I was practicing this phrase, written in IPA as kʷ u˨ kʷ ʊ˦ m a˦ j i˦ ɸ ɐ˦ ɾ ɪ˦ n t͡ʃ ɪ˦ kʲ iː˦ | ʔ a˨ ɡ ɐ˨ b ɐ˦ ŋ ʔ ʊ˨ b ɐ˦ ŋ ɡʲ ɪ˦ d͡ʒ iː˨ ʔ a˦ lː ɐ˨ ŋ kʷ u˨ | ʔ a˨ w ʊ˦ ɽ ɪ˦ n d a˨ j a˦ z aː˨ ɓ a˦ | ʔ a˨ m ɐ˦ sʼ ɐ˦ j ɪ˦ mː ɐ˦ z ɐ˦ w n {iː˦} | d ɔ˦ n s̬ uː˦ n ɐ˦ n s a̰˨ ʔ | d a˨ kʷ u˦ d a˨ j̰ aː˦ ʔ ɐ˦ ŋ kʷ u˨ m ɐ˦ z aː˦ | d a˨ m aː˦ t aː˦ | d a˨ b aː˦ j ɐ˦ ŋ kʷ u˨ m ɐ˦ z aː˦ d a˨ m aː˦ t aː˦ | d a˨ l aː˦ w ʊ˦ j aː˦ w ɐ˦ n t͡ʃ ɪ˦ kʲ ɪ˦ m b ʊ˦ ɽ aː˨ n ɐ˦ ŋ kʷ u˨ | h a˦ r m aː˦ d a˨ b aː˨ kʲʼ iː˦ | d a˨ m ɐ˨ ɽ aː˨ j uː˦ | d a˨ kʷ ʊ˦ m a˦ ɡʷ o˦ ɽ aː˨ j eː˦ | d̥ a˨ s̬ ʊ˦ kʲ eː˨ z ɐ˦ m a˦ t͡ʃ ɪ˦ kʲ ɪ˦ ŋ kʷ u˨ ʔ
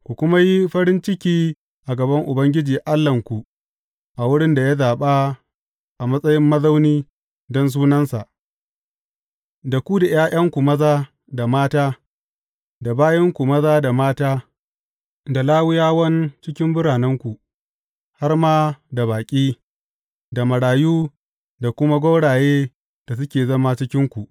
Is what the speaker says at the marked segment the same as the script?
yes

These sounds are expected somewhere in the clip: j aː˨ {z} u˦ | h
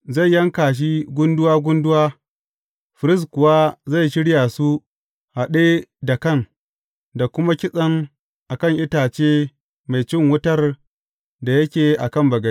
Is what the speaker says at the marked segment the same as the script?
no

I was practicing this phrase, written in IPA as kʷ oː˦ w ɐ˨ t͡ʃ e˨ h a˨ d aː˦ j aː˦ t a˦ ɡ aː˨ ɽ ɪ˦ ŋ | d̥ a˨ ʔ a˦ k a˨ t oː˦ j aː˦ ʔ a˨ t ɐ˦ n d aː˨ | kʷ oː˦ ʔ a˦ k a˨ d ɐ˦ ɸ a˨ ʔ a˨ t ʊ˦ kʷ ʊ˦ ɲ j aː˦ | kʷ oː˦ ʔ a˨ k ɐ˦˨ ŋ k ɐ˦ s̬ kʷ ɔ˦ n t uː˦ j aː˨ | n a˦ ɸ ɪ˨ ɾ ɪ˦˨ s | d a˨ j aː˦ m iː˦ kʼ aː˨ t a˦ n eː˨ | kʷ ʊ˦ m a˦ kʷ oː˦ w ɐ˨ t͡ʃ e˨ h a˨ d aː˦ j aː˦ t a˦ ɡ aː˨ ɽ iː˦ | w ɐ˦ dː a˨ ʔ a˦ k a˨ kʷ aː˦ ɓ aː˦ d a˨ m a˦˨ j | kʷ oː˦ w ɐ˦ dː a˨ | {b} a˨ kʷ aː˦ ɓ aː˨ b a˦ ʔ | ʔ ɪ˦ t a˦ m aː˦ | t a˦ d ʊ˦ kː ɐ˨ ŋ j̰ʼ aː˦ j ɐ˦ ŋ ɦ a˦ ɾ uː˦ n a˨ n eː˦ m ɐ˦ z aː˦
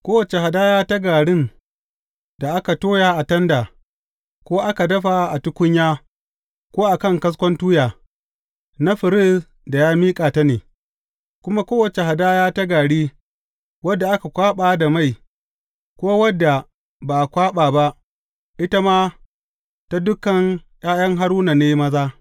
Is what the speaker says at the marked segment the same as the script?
yes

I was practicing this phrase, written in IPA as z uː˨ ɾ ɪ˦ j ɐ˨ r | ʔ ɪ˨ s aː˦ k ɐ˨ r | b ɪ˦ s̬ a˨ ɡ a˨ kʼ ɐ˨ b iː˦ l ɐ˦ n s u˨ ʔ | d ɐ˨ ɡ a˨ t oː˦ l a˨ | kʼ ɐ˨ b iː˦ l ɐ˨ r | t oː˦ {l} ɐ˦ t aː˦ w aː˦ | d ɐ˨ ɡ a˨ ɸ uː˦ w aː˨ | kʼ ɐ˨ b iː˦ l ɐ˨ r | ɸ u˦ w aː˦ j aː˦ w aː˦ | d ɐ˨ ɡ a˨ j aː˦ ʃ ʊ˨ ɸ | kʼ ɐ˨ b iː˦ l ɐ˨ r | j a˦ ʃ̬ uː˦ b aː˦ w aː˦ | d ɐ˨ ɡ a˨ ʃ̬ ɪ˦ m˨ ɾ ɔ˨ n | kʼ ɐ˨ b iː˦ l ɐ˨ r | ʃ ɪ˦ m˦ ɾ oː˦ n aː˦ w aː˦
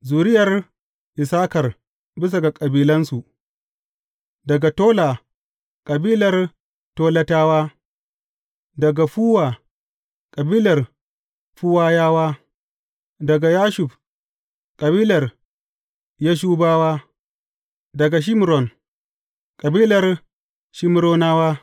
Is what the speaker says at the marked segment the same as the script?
yes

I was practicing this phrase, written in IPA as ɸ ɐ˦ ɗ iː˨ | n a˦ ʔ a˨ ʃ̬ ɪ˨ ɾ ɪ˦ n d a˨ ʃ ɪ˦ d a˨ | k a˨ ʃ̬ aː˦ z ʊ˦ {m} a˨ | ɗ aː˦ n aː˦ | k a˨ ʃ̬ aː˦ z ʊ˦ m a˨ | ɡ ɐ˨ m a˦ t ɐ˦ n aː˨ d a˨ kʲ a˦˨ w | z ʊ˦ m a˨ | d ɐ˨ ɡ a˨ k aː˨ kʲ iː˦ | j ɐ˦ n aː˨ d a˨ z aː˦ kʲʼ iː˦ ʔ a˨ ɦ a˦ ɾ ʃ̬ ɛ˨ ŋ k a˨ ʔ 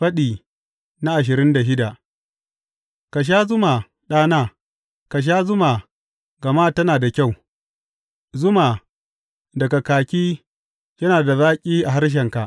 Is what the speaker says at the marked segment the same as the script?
yes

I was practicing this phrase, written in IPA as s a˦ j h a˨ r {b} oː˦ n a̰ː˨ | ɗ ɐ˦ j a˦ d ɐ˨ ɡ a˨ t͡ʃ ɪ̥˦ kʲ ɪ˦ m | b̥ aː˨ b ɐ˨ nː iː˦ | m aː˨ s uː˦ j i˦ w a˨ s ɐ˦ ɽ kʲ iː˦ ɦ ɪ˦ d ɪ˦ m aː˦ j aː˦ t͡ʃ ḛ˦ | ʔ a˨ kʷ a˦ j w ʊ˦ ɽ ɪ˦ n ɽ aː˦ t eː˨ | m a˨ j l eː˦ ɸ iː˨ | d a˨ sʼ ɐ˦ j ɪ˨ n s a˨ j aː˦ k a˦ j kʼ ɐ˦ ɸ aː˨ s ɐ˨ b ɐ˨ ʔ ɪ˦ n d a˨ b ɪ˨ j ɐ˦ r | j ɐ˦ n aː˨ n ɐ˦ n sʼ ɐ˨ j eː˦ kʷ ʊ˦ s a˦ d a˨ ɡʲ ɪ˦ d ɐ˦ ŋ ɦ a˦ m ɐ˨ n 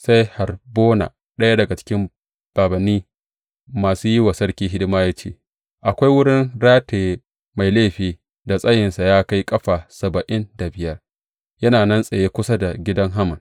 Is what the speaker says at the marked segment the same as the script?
yes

